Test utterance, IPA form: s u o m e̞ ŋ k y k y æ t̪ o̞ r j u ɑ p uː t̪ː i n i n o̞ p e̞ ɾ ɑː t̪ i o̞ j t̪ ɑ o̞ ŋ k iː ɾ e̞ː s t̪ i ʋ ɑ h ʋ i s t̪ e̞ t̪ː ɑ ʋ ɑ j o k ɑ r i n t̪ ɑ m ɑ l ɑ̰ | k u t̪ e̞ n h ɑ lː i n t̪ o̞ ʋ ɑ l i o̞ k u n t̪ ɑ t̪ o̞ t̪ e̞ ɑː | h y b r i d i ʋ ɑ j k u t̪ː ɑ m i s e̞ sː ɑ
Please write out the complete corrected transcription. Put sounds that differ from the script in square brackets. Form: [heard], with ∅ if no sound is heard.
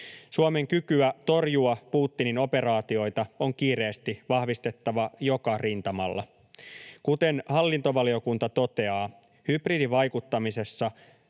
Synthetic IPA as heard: s u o m e̞ ŋ k y k y æ t̪ o̞ r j u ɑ p uː t̪ː i n i n o̞ p e̞ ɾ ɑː t̪ i o̞ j t̪ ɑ o̞ ŋ k iː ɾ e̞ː s t̪ i ʋ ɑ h ʋ i s t̪ e̞ t̪ː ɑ ʋ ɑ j o k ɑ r i n t̪ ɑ m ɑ [lː] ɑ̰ | k u t̪ e̞ n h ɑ lː i n t̪ o̞ ʋ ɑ l i o̞ k u n t̪ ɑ t̪ o̞ t̪ e̞ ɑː | h y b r i d i ʋ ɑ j k u t̪ː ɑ m i s e̞ sː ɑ